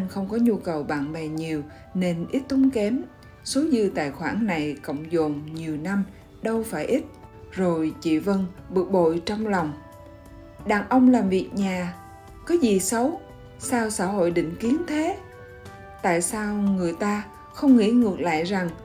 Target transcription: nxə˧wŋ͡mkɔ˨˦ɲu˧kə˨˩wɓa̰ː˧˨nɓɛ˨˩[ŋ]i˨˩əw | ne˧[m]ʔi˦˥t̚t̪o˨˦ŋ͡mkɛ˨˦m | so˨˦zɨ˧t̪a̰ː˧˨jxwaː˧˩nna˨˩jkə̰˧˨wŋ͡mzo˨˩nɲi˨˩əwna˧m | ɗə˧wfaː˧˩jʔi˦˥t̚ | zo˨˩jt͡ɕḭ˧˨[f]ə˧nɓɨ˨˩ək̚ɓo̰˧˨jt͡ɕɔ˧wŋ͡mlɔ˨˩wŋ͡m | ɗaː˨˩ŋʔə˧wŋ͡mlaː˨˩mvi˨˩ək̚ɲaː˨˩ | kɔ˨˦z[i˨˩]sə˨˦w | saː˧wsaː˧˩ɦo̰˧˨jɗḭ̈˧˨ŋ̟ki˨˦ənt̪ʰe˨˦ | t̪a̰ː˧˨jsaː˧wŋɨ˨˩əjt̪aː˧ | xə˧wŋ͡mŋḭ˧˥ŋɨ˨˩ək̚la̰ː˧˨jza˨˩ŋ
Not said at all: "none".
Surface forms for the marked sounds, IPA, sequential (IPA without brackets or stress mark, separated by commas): ɲ, n, v, i˨˩